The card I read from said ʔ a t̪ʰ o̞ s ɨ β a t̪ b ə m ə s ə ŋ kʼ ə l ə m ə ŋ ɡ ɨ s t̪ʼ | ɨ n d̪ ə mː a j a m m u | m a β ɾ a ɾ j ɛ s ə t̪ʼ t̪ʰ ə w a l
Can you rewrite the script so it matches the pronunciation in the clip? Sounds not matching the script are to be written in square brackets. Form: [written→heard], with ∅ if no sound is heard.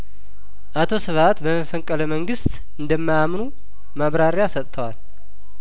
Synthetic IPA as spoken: ʔ a t̪ʰ o̞ s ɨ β a t̪ b ə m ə [s→f] ə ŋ kʼ ə l ə m ə ŋ ɡ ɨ s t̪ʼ | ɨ n d̪ ə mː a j a m [m→n] u | m a β ɾ a ɾ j [ɛ→a] s ə t̪ʼ t̪ʰ ə w a l